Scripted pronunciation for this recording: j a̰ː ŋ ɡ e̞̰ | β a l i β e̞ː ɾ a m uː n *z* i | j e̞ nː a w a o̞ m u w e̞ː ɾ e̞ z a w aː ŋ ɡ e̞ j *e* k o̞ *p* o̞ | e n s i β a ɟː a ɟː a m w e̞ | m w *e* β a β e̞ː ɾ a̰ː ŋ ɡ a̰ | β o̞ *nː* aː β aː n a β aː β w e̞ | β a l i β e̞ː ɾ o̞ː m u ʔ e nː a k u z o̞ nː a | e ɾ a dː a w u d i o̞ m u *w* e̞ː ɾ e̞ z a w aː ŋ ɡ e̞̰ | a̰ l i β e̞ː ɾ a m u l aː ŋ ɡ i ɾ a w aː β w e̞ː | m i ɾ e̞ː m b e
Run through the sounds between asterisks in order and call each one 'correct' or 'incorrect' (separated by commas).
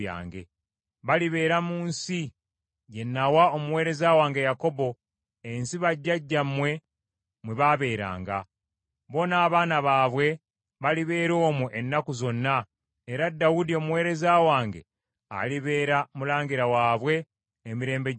incorrect, incorrect, incorrect, correct, incorrect, correct